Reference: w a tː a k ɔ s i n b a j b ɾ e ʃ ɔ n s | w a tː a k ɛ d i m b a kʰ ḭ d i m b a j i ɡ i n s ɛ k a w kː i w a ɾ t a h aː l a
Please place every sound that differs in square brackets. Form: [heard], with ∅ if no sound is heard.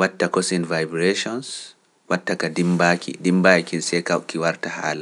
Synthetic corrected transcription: w a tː a k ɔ s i n [v] a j b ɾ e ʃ ɔ n s | w a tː a k [a] d i m b a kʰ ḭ d i m b a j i [k] i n s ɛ k a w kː i w a ɾ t a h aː l a